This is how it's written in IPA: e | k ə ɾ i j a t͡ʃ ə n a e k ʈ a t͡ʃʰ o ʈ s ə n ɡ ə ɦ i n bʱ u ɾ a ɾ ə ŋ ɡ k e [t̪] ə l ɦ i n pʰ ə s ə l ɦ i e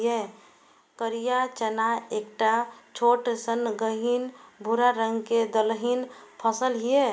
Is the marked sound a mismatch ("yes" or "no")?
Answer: yes